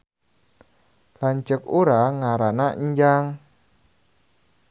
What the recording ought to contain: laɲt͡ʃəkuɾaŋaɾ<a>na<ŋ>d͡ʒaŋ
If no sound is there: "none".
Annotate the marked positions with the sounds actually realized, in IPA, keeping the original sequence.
a, ɲ

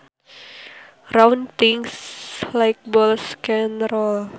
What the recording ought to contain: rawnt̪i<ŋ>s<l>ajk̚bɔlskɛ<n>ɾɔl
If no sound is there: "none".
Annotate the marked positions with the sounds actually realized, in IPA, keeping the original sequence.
ŋ, l, n

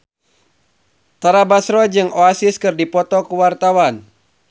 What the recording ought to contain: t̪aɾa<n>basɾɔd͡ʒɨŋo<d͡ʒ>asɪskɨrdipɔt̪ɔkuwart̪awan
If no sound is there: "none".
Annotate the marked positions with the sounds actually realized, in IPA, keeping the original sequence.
none, none

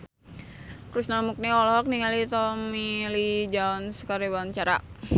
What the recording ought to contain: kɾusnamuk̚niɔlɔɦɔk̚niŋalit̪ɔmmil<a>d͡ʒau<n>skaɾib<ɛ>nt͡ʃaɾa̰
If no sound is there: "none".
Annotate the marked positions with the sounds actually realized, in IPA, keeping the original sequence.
i, n, a

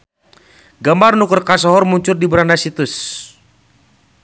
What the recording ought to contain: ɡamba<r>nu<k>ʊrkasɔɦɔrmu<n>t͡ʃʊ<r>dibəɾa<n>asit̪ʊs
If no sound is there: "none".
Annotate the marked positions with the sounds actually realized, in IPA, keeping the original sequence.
r, k, ɲ, r, n

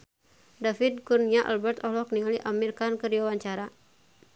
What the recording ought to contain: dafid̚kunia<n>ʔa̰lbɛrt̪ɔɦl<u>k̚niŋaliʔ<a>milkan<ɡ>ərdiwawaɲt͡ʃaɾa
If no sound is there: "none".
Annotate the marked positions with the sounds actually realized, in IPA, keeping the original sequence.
none, ɔ, a, k

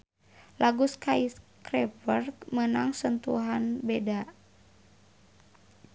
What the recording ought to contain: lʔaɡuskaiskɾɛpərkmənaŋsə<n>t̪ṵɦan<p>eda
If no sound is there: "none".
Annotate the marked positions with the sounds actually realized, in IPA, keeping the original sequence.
n, b

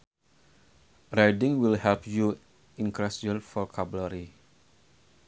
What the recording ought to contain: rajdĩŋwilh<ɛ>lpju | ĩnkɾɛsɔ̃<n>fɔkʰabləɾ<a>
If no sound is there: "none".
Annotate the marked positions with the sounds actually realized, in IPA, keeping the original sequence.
ɛ, n, i

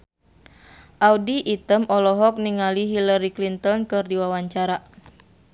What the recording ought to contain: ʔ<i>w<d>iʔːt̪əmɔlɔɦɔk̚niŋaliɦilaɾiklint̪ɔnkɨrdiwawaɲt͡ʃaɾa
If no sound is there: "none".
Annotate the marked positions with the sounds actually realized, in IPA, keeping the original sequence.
a, d

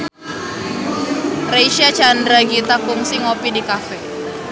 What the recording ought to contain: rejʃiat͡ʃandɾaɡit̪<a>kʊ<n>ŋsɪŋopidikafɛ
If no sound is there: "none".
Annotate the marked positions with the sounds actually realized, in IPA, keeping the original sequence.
a, none

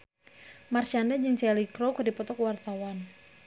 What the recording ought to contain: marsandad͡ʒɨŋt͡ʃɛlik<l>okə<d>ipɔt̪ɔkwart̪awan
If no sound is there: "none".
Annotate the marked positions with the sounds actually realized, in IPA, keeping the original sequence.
ɾ, d

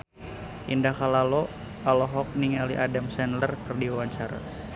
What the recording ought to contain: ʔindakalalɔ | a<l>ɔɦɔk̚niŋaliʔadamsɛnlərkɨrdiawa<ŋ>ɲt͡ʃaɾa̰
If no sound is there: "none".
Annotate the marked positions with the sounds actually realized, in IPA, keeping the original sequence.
l, none

